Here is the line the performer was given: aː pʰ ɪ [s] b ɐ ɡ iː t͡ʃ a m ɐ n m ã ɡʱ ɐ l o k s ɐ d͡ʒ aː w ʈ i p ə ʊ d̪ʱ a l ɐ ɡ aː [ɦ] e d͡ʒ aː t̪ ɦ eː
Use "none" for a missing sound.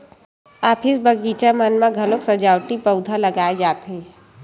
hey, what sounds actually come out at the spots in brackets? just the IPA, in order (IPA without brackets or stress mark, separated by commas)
s, none